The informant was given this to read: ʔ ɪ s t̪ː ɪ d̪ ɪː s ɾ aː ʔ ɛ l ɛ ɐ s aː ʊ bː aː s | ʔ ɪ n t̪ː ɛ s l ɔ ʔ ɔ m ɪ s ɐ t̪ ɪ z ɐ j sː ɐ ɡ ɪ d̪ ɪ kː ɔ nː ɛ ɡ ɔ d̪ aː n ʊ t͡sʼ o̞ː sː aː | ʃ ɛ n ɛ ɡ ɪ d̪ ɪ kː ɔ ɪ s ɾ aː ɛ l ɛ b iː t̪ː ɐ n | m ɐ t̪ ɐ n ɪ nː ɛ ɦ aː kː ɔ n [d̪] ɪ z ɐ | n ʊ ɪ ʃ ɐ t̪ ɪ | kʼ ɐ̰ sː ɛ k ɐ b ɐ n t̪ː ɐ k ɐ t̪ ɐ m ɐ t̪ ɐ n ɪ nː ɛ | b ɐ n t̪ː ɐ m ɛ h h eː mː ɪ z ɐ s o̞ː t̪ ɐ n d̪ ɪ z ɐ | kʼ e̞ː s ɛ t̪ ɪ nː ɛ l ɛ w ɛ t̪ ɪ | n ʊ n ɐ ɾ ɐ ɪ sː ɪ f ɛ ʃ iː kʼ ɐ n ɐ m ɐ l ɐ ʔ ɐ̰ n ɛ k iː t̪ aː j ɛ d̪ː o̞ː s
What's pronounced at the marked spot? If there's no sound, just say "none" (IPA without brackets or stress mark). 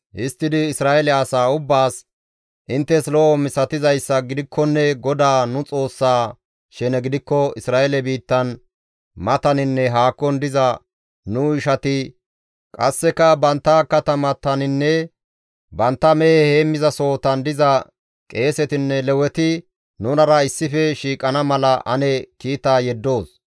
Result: d̪